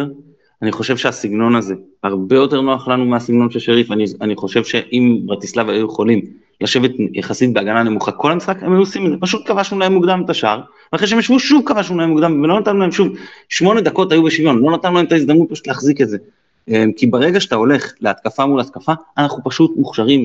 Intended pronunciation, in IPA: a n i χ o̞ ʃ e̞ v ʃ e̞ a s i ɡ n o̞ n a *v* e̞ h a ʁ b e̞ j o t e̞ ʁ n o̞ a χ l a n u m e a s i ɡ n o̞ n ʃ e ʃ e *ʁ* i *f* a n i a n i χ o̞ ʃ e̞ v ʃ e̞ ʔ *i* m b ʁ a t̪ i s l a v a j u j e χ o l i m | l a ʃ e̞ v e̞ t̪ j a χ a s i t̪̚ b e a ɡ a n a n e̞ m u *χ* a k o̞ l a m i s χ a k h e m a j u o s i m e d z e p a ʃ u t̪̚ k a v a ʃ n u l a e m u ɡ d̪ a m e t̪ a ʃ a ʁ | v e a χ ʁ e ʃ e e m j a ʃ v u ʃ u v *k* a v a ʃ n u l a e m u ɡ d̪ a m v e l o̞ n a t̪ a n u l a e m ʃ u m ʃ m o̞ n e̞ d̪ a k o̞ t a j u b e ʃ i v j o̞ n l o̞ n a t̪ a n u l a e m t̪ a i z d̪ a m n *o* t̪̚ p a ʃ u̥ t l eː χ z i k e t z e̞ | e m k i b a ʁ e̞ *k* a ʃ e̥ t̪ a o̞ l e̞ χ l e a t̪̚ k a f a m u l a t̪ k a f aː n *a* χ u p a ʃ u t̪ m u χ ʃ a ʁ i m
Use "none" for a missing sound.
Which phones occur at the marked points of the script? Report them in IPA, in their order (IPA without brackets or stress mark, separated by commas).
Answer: z, ʁ, f, i, χ, k, u, ɡ, a